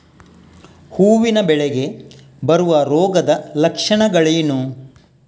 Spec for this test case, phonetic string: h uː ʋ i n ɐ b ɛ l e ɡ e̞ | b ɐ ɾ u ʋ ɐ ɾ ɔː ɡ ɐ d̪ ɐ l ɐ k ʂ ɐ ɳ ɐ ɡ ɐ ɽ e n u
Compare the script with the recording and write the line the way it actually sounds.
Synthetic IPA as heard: h uː ʋ i n ɐ b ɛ ɭ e ɡ e̞ | b ɐ ɾ u ʋ ɐ ɾ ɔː ɡ ɐ d̪ ɐ l ɐ k ʂ ɐ ɳ ɐ ɡ ɐ ɭ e n u